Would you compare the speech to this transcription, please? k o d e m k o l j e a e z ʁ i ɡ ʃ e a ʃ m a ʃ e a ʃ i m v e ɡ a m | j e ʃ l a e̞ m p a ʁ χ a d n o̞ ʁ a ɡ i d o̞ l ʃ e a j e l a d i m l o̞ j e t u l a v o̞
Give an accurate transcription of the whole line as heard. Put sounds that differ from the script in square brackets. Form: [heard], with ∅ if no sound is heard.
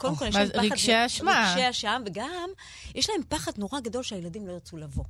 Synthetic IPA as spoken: k o d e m k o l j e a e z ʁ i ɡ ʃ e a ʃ m a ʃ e a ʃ [a] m v e ɡ a m | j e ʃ l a e̞ m p a [∅] χ a d n o̞ ʁ a ɡ [a] d o̞ l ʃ e a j e l a d i m l o̞ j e [t͡s] u l a v o̞